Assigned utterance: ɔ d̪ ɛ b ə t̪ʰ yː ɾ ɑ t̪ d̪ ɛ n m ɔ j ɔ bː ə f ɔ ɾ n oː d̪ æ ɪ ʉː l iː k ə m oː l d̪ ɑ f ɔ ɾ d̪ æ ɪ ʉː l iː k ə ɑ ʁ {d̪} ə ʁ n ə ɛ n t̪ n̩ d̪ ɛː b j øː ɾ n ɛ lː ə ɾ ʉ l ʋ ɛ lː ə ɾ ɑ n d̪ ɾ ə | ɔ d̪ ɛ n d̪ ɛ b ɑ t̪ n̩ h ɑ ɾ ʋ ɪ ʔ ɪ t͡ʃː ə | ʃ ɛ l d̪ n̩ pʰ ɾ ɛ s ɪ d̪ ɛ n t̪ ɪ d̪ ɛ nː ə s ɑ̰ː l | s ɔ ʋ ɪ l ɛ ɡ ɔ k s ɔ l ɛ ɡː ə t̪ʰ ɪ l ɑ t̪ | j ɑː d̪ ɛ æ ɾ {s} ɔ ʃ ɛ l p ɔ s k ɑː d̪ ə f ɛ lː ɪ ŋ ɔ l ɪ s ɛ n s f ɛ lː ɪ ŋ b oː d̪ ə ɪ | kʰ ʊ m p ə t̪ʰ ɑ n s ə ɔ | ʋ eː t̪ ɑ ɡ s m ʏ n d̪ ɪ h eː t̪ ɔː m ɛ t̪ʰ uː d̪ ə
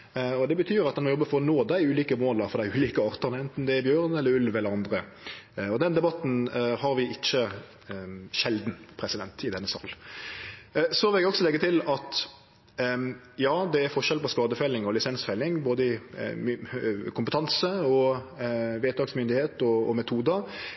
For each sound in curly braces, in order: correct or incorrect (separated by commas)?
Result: incorrect, incorrect